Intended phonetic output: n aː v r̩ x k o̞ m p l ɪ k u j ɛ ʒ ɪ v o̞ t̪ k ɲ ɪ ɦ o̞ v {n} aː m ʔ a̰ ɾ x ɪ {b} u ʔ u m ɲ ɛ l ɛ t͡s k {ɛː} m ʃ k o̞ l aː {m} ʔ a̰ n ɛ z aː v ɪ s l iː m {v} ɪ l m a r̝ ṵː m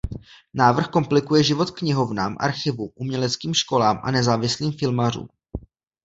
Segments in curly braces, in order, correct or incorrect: correct, incorrect: v, incorrect: iː, correct, incorrect: f

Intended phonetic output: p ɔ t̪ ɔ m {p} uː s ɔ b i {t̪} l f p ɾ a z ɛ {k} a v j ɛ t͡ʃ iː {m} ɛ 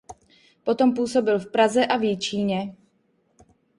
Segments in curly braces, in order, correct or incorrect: correct, incorrect: none, incorrect: ʔ, incorrect: ɲ

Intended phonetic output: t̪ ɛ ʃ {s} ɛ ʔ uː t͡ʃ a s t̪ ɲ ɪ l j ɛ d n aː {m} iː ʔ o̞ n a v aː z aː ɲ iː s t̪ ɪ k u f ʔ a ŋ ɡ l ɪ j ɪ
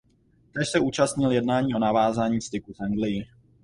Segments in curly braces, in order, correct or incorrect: correct, incorrect: ɲ

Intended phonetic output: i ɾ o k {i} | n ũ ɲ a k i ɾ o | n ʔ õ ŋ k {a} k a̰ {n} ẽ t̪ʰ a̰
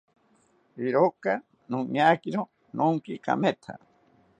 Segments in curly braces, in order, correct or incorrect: incorrect: a, incorrect: i, incorrect: m

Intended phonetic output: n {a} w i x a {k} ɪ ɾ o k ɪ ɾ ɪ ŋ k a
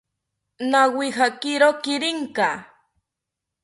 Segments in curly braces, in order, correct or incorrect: correct, correct

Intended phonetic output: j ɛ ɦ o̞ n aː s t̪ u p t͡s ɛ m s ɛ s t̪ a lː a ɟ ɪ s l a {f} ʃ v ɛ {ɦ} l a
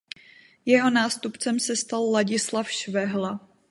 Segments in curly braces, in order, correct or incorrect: correct, correct

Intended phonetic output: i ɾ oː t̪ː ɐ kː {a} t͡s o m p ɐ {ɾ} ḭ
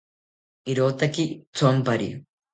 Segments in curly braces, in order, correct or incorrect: incorrect: i, correct

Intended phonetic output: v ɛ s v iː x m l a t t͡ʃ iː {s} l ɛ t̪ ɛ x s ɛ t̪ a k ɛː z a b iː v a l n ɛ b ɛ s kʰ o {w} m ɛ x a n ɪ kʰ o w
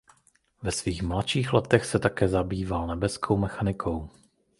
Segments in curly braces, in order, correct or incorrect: incorrect: x, correct

